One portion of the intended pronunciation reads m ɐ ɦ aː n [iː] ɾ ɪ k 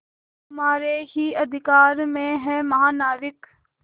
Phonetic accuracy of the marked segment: incorrect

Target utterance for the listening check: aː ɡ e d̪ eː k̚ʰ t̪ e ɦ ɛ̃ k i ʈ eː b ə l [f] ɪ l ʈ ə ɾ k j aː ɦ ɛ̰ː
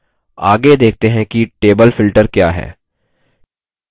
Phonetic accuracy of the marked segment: correct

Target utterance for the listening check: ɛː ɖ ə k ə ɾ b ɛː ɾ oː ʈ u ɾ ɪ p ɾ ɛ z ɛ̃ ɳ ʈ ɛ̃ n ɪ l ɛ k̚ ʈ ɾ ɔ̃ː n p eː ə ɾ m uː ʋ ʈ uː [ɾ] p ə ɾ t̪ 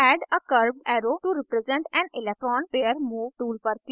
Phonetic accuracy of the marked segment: incorrect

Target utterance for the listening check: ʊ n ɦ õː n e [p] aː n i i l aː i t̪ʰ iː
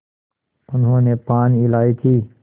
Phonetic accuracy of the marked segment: correct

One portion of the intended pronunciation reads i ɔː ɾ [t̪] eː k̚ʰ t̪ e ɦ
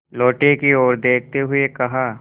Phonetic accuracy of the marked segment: incorrect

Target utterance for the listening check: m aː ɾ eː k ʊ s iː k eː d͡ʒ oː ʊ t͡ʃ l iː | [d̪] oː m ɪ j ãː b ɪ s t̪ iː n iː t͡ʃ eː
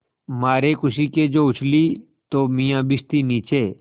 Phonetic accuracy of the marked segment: incorrect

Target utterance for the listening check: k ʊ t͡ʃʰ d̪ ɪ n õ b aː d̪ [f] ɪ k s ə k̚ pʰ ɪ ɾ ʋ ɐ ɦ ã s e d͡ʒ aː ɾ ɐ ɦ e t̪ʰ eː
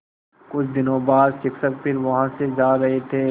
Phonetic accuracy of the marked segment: incorrect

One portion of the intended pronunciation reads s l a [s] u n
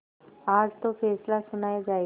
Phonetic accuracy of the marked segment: correct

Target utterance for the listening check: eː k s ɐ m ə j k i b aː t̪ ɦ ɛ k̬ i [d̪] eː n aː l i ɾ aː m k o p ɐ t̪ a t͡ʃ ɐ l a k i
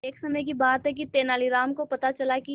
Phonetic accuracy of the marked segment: incorrect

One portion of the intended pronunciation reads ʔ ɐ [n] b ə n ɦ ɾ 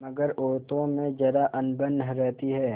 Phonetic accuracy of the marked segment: correct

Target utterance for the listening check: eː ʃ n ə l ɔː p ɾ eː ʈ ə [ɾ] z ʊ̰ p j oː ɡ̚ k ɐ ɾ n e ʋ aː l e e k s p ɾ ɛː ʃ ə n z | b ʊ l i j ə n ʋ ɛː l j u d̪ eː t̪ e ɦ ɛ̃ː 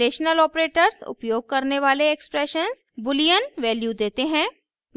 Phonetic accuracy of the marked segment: correct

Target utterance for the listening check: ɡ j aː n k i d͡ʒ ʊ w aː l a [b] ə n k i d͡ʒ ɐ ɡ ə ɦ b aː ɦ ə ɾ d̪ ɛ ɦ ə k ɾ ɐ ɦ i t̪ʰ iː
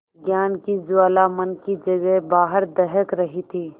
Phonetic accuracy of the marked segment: incorrect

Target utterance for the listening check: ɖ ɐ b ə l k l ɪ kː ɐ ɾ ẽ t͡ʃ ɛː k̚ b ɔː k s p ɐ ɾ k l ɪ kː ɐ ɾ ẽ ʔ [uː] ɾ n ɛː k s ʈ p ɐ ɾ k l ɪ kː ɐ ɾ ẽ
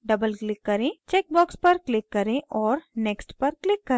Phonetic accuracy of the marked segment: incorrect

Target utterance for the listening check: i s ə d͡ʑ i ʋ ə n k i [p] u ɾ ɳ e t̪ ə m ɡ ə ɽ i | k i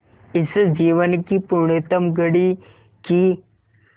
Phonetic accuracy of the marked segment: correct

